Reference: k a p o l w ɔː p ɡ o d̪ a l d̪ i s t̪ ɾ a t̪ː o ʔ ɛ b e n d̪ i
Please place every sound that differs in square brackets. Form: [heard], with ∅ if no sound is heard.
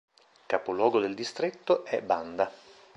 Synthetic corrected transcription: k a p o l w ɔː [∅] ɡ o d̪ [e] l d̪ i s t̪ ɾ [e] t̪ː o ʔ ɛ b [a] n d̪ [a]

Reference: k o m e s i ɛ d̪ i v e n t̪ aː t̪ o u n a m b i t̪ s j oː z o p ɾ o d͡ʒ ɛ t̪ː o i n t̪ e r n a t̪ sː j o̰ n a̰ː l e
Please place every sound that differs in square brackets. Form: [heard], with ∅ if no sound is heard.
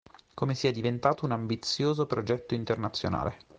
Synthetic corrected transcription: k o m e s i ɛ d̪ i v e n t̪ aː t̪ o u n a m b i t̪ s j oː z o p ɾ o d͡ʒ ɛ t̪ː o i n t̪ e r n a t̪ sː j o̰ n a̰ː l e

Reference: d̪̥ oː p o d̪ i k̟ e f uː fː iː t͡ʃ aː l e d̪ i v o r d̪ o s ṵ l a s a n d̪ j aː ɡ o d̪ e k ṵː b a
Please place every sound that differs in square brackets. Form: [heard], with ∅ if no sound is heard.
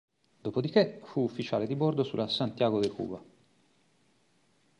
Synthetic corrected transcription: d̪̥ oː p o d̪ i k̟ e f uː fː [i] t͡ʃ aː l e d̪ i [b] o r d̪ o s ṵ l a s a n [t̪] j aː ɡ o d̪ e k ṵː b a

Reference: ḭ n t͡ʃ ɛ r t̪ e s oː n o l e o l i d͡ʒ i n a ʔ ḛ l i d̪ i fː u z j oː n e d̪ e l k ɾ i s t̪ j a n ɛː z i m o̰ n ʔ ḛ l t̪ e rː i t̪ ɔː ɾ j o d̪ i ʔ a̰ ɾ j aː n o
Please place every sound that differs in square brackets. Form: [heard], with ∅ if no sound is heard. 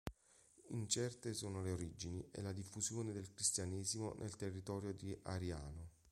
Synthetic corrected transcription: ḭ n t͡ʃ ɛ r t̪ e s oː n o l e o [ɾ] i d͡ʒ i n [i] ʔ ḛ l [a] d̪ i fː u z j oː n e d̪ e l k ɾ i s t̪ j a n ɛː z i m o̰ n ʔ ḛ l t̪ e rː i t̪ ɔː ɾ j o d̪ i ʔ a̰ ɾ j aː n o

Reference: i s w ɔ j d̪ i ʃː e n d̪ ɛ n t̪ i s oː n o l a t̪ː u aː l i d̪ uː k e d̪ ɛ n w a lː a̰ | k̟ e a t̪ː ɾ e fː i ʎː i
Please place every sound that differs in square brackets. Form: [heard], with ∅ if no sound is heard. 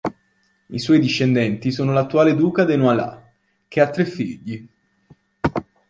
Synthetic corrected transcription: i s w ɔ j d̪ i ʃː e n d̪ ɛ n t̪ i s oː n o l a t̪ː u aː l [e] d̪ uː k [a] d̪ [e] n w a [l] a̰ | k̟ e a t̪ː ɾ e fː i ʎː i

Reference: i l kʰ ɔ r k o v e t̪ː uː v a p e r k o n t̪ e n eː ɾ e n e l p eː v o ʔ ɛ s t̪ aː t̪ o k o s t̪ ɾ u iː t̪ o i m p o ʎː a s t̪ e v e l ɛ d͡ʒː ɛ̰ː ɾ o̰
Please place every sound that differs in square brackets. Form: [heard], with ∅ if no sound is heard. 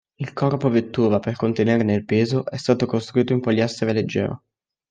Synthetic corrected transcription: i l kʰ ɔ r [p] o v e t̪ː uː v a p e r k o n t̪ e n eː ɾ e n e l p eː [z] o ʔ ɛ s t̪ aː t̪ o k o s t̪ ɾ u iː t̪ o i m p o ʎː a s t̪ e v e l [e] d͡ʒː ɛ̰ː ɾ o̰

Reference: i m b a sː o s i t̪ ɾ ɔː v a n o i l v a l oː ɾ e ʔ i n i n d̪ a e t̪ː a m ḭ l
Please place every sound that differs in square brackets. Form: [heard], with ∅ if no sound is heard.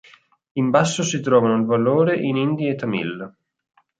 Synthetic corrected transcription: i m b a sː o s i t̪ ɾ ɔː v a n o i l v a l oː ɾ e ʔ i n i n d̪ [i] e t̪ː a m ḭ l

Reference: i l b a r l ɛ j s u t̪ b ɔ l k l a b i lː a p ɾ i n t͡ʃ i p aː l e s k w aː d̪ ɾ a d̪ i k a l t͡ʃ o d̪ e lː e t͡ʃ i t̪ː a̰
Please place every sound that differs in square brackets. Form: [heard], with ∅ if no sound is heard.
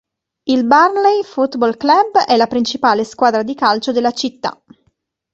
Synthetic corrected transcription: i l b a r l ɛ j [f] u t̪ b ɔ l k l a b [ɛ] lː a p ɾ i n t͡ʃ i p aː l e s k w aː d̪ ɾ a d̪ i k a l t͡ʃ o d̪ e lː [a] t͡ʃ i t̪ː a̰

